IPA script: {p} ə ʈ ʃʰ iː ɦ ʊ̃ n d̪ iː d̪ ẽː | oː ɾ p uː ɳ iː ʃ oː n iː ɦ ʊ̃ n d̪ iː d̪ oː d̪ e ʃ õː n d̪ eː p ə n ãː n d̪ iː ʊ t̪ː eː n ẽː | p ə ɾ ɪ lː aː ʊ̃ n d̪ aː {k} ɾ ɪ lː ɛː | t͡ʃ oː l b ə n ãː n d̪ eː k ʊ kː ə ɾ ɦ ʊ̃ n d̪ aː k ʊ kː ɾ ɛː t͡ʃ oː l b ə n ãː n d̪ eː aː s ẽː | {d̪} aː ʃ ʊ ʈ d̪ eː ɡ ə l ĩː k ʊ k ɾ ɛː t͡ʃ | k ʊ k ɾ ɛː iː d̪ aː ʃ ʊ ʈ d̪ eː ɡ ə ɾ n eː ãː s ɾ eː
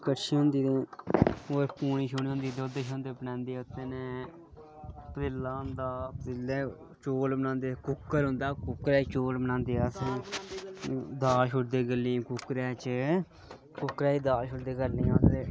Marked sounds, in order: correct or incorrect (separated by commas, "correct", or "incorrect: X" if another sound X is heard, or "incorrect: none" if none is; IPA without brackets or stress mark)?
incorrect: k, incorrect: p, correct